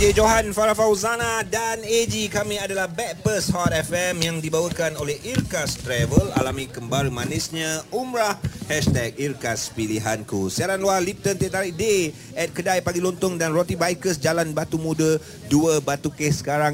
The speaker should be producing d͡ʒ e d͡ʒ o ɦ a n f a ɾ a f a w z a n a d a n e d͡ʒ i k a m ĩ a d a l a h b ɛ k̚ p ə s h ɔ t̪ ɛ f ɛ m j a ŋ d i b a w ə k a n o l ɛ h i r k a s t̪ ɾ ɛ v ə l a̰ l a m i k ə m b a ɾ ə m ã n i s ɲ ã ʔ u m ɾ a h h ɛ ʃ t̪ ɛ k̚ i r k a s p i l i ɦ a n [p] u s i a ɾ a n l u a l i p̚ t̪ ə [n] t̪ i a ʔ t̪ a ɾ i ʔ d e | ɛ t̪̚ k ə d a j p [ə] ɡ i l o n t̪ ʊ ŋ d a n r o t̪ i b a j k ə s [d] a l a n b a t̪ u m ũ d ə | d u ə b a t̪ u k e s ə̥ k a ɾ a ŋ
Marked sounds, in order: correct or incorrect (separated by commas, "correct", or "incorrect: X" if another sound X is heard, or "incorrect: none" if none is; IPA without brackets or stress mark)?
incorrect: k, correct, incorrect: a, incorrect: d͡ʒ